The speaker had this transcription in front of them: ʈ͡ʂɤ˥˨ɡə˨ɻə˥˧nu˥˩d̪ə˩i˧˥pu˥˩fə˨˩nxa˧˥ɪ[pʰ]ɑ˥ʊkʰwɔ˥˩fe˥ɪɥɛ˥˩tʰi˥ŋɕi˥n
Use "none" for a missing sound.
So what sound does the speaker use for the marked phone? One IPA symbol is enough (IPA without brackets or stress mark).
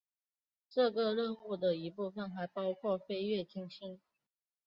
p